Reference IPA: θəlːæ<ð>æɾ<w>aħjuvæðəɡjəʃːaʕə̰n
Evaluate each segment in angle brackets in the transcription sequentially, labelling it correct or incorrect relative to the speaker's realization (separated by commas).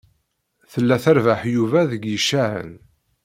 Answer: incorrect, incorrect